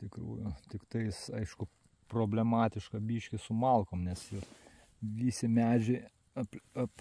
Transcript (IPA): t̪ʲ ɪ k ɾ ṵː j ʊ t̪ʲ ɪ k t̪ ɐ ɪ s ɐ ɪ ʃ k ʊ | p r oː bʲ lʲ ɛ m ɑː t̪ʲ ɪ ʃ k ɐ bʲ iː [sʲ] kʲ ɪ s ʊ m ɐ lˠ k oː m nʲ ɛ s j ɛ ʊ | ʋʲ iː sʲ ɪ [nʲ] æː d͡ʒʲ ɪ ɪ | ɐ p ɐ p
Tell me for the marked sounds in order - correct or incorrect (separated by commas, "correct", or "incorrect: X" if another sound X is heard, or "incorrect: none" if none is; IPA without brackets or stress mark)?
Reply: incorrect: ʃʲ, incorrect: mʲ